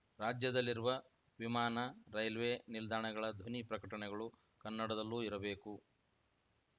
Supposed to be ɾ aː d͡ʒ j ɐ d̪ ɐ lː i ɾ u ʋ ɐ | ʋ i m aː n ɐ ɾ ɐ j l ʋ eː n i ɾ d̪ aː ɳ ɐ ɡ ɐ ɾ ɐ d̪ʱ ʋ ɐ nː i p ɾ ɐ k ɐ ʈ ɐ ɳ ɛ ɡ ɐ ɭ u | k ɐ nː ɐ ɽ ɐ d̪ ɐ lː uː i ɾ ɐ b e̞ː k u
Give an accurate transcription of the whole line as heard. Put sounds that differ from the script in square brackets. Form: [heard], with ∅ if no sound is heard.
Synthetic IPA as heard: ɾ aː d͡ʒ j ɐ d̪ ɐ lː i ɾ u ʋ ɐ | ʋ i m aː n ɐ ɾ ɐ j l ʋ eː n i [l] d̪ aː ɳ ɐ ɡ ɐ [ɭ] ɐ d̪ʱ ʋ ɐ [n] i p ɾ ɐ k ɐ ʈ ɐ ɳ ɛ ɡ ɐ ɭ u | k ɐ nː ɐ ɽ ɐ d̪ ɐ lː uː i ɾ ɐ b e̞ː k u